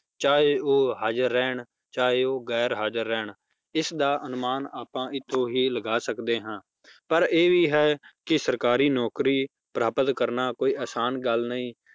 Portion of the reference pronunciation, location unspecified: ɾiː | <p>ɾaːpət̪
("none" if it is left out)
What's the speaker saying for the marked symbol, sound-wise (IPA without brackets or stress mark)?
p